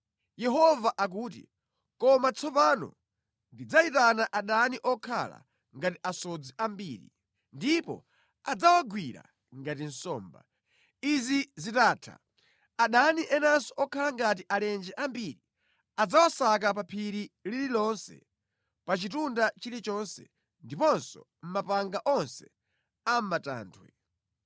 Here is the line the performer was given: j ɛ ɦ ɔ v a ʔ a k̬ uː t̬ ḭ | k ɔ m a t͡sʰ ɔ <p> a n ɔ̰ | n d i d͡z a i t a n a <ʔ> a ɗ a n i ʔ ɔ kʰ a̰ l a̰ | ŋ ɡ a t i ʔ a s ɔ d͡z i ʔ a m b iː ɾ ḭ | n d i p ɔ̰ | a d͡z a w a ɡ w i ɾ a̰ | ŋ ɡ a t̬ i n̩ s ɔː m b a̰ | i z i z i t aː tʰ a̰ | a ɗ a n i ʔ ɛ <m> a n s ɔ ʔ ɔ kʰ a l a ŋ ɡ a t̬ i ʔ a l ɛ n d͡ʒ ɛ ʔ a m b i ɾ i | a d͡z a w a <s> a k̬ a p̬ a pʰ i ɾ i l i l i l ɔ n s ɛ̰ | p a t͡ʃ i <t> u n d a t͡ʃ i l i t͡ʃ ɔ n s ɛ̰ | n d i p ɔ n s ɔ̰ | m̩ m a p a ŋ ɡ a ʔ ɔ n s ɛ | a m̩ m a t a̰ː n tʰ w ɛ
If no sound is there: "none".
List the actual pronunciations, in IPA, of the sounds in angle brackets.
p, ʔ, n, s, t

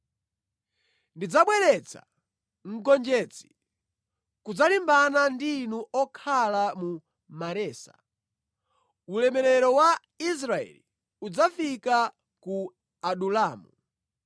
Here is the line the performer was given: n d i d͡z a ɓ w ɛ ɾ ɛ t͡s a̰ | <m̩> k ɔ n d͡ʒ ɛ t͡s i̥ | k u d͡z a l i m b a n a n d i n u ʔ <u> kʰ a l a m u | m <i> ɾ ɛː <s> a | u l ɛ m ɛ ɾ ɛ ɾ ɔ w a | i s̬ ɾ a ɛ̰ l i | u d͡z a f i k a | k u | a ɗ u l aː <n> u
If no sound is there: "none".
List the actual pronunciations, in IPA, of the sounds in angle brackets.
ŋ̩, ɔ, a, s, m

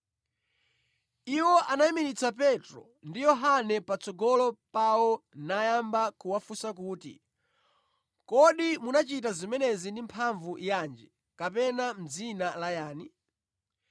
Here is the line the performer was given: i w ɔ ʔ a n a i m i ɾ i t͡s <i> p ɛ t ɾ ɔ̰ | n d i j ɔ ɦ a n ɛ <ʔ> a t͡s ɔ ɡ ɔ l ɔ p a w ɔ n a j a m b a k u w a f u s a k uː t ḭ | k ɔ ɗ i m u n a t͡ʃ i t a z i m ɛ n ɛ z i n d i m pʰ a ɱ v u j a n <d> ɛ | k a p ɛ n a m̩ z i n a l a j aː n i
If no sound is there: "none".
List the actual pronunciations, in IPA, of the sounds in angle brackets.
a, p, d͡ʒ

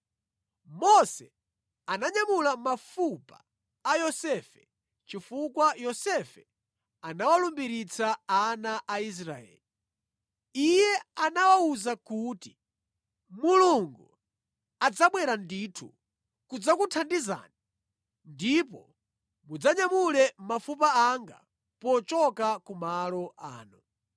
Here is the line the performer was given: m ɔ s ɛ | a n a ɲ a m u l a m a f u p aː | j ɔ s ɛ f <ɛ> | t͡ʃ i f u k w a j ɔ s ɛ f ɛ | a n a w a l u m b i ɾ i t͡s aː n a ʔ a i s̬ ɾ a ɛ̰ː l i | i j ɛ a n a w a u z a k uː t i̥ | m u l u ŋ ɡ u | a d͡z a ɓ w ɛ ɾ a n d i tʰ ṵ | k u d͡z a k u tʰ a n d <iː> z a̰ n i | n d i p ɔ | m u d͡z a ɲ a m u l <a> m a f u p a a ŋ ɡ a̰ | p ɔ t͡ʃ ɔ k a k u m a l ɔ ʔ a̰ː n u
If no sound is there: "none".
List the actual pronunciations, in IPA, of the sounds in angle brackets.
ɛ, i, ɛ

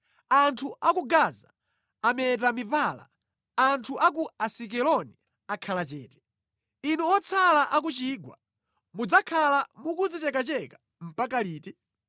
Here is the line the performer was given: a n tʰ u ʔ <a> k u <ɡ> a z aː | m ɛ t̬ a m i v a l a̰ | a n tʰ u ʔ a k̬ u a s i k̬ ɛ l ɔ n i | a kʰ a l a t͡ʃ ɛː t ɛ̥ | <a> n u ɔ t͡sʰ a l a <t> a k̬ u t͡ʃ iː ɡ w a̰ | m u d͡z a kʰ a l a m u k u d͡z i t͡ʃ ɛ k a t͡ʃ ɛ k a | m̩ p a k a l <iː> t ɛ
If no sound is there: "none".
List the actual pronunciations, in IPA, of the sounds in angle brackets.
a, ɡ, i, ʔ, iː

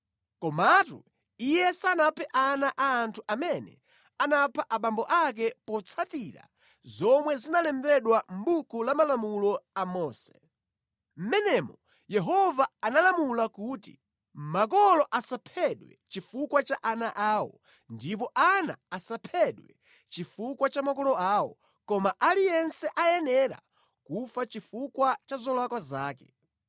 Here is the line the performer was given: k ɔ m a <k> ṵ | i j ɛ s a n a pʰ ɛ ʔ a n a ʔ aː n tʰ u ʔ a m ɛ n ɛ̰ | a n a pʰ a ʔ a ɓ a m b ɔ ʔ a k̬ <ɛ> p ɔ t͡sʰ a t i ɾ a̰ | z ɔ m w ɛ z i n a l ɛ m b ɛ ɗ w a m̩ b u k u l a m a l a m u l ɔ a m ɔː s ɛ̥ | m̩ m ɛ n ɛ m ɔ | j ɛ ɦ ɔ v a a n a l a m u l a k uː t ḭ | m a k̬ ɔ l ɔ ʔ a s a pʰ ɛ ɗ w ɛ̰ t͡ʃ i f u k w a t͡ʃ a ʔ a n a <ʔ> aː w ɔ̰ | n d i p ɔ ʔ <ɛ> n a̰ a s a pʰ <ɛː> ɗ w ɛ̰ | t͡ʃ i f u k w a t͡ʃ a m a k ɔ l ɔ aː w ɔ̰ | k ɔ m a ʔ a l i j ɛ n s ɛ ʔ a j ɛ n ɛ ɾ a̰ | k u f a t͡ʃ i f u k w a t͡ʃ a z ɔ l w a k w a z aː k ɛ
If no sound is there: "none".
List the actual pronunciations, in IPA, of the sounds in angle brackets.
t, ɛ, ʔ, a, ɛ

